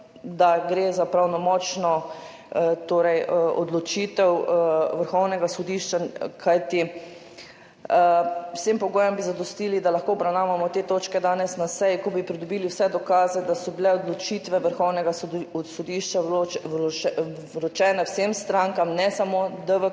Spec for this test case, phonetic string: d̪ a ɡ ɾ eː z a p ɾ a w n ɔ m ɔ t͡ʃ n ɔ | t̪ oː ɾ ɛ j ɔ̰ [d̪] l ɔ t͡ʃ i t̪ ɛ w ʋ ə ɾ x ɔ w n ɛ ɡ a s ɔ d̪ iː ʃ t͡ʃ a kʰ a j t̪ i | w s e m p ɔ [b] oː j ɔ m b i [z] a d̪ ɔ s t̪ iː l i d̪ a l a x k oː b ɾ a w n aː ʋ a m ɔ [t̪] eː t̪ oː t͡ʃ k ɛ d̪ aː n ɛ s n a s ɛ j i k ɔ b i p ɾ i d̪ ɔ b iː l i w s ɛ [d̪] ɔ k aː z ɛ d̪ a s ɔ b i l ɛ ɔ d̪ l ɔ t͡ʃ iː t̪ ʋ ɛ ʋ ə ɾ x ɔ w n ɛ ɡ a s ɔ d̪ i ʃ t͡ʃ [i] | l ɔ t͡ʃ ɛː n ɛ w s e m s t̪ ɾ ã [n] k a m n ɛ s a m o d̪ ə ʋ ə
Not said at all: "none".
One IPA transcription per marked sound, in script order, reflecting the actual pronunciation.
d̪, ɡ, z, t̪, d̪, a, ŋ

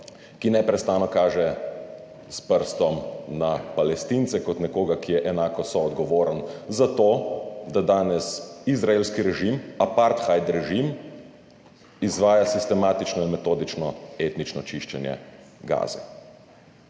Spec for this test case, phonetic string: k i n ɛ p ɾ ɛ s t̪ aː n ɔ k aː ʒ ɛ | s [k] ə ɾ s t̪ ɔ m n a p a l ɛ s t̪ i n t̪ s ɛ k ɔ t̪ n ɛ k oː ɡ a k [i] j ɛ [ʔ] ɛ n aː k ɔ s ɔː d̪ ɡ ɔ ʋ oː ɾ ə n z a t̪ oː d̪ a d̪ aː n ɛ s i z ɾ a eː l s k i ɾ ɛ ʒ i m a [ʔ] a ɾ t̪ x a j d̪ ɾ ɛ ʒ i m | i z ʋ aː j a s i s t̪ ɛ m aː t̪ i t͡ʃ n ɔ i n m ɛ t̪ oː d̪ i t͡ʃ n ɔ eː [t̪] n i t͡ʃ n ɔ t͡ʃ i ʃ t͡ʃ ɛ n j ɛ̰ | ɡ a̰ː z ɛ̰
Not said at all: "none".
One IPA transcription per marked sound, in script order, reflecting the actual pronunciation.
p, i, ʔ, p, t̪

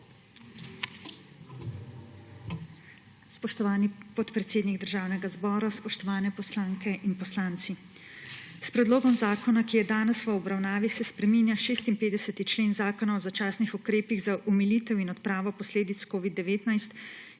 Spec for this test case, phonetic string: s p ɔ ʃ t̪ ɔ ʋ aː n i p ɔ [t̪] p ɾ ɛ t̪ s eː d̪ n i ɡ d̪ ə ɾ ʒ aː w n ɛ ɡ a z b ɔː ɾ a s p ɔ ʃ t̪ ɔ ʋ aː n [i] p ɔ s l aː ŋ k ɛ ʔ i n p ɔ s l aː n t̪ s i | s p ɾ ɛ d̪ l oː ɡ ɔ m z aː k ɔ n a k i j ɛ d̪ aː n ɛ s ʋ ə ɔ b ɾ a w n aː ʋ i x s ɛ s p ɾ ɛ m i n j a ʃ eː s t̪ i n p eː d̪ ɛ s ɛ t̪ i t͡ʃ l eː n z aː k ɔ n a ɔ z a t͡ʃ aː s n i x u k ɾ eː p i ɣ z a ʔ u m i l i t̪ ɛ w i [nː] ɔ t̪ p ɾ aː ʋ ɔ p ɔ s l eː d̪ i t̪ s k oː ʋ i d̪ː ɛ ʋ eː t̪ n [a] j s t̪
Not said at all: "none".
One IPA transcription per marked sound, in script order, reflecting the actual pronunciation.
t̪, ɛ, n, a

